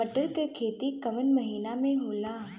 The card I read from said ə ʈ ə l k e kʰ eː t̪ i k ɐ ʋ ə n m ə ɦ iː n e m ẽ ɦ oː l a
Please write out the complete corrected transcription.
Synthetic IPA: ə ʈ ə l k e kʰ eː t̪ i k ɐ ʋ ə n m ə ɦ iː n a m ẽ ɦ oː l a

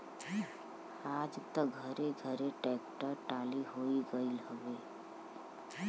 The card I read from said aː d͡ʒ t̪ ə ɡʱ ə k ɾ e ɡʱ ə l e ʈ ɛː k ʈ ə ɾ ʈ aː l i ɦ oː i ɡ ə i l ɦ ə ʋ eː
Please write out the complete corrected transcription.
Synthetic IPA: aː d͡ʒ t̪ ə ɡʱ ə ɾ e ɡʱ ə ɾ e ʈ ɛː k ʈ ə ɾ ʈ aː l i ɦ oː i ɡ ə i l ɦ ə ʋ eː

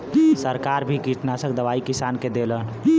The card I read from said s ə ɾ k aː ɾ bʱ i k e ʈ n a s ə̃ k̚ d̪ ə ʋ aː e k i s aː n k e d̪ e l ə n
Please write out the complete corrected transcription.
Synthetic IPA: s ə ɾ k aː ɾ bʱ i k i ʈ n a s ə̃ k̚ d̪ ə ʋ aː i k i s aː n k e d̪ e l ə n

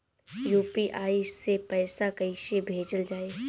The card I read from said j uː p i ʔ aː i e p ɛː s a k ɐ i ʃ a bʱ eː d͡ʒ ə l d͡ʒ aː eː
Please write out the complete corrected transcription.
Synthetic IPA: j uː p i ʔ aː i e p ɛː s a k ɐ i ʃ e bʱ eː d͡ʒ ə l d͡ʒ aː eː

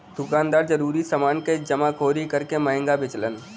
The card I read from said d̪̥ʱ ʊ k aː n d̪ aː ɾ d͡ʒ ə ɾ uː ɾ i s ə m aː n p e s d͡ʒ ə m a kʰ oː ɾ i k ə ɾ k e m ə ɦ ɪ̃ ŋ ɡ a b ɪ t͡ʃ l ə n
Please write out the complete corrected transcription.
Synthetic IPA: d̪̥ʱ ʊ k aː n d̪ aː ɾ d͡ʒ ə ɾ uː ɾ i s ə m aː n k e d͡ʒ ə m a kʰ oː ɾ i k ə ɾ k e m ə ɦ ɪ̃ ŋ ɡ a b ɪ t͡ʃ l ə n

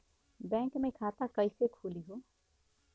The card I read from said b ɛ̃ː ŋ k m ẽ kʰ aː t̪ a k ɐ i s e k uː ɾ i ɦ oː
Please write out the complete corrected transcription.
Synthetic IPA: b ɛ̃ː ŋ k m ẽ kʰ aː t̪ a k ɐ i s e kʰ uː l i ɦ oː

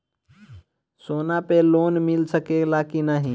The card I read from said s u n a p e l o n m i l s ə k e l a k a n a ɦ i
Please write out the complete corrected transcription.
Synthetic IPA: s o n a p e l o n m i l s ə k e l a k i n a ɦ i

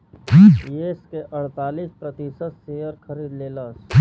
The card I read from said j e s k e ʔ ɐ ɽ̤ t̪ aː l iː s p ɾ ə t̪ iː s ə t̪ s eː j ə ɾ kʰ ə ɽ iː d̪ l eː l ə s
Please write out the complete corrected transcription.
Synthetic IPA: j e s k e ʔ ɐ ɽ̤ t̪ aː l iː s p ɾ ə t̪ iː s ə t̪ s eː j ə ɾ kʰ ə ɾ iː d̪ l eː l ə s

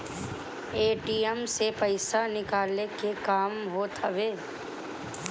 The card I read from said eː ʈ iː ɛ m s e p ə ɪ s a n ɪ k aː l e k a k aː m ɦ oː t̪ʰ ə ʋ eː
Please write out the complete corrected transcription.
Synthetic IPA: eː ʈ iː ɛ m s e p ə ɪ s a n ɪ k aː l e k e k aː m ɦ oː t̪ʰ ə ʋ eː

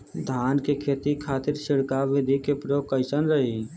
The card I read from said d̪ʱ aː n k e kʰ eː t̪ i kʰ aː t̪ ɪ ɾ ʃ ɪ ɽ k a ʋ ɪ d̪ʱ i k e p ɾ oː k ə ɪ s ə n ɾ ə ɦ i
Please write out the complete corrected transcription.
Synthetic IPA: d̪ʱ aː n k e kʰ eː t̪ i kʰ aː t̪ ɪ ɾ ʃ ɪ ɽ k a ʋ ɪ d̪ʱ i k e p ɾ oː k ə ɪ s ə n ɾ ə ɦ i

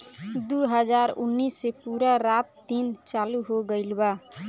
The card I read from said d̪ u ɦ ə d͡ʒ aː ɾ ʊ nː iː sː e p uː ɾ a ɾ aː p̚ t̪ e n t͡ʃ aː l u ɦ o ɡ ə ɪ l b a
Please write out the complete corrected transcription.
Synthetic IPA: d̪ u ɦ ə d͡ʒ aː ɾ ʊ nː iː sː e p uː ɾ a ɾ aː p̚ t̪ i n t͡ʃ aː l u ɦ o ɡ ə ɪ l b a

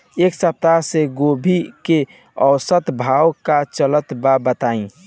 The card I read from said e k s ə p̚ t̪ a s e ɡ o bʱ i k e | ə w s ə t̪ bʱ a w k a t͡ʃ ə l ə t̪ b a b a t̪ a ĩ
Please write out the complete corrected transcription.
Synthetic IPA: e k s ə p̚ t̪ a s e ɡ o bʱ i k e | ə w s ə t̪ bʱ a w k a t͡ʃ ə l ə t̪ b a b ə t̪ a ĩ

